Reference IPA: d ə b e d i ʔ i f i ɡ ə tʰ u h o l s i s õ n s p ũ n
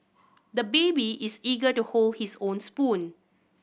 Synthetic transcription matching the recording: d ə b e b i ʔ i s i ɡ ə t u h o l h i s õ n s p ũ n